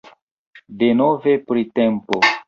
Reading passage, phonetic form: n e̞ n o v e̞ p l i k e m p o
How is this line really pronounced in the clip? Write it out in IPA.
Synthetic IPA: d e̞ n o v e̞ p ɾ i t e m p o